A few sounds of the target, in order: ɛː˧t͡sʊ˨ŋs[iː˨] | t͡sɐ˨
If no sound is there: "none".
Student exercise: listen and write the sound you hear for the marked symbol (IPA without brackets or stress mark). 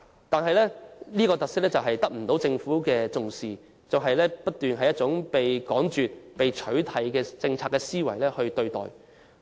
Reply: iː˨